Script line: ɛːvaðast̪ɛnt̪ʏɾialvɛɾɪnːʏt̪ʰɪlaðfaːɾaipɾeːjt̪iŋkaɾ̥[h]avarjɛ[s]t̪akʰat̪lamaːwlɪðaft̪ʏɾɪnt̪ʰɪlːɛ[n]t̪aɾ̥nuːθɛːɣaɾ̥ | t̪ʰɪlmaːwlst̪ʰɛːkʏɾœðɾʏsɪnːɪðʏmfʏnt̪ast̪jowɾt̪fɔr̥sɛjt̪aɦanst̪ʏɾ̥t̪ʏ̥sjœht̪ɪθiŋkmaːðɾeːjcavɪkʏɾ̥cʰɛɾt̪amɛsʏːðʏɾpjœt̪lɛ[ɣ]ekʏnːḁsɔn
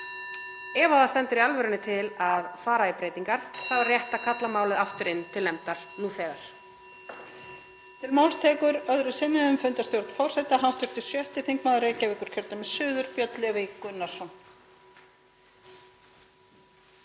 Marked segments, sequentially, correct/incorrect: incorrect, incorrect, incorrect, incorrect

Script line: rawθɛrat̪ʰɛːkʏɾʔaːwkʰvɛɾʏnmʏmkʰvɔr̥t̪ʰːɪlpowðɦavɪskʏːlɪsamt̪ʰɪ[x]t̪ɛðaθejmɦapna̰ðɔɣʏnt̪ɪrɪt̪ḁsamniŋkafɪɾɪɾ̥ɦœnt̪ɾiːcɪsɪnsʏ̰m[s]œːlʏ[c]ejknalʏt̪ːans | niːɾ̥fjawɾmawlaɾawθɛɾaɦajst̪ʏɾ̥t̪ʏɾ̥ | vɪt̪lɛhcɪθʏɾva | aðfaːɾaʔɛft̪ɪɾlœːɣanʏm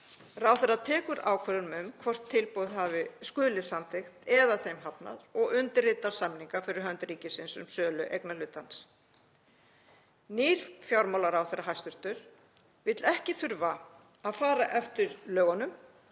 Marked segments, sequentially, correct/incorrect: correct, correct, incorrect

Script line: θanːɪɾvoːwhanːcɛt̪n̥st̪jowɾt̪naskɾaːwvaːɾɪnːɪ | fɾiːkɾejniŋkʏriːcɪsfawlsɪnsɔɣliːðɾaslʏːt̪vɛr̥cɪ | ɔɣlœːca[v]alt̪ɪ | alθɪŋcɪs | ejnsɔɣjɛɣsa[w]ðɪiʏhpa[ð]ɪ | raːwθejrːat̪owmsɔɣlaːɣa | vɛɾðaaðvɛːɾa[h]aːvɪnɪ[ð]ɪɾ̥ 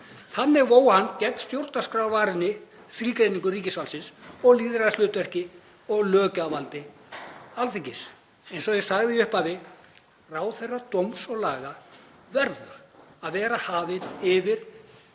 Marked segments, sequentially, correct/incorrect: correct, incorrect, correct, correct, incorrect

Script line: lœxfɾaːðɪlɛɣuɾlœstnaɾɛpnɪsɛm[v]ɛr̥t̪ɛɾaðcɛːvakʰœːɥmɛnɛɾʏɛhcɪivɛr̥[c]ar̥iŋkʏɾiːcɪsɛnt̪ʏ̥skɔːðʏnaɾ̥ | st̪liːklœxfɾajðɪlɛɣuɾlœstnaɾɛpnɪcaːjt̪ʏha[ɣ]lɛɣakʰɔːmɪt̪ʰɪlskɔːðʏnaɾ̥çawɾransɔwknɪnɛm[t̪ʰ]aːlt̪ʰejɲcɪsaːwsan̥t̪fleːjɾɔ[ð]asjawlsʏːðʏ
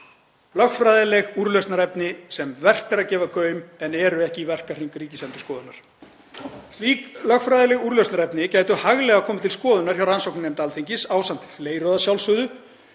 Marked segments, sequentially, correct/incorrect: correct, incorrect, correct, incorrect, correct

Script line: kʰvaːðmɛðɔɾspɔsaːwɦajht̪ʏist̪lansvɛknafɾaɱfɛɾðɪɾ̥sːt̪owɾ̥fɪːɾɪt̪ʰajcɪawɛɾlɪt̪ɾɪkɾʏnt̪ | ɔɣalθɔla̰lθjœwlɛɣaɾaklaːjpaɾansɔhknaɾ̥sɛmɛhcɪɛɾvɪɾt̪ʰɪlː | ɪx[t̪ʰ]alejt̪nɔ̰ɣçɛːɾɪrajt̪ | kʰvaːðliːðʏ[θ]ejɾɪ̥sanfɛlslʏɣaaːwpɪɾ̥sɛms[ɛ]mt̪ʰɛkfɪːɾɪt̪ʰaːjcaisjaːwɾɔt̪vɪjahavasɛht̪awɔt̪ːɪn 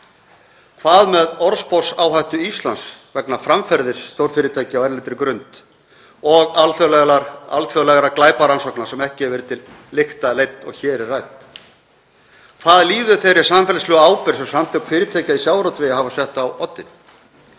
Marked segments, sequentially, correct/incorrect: incorrect, correct, incorrect

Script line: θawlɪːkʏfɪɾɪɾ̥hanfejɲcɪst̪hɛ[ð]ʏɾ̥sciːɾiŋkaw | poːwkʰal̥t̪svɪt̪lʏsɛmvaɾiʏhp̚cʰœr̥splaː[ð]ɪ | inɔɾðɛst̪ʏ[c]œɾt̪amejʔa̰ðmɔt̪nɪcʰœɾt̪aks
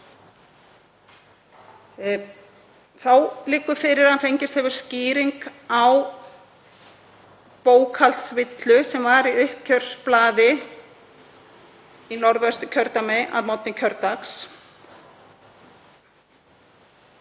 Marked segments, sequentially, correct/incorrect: incorrect, correct, incorrect

